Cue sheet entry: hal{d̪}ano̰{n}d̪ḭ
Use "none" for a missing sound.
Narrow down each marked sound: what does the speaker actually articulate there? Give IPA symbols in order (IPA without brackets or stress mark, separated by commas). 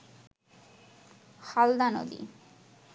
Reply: d̪, none